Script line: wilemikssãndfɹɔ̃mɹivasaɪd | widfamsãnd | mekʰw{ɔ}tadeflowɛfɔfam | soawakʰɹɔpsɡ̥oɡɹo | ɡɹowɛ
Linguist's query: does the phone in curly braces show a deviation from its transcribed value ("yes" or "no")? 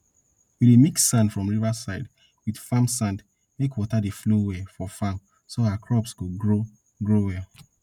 no